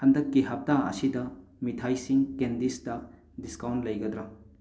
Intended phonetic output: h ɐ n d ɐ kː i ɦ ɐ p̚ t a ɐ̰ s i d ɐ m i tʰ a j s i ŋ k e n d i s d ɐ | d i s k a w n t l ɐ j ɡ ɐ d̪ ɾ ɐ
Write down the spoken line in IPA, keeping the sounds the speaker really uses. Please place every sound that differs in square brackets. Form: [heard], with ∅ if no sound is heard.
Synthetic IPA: h ɐ n d ɐ kː i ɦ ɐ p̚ t a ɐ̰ s i d ɐ m i tʰ a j s i ŋ k e n d i s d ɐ | d i s k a w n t l ɐ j ɡ ɐ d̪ ɾ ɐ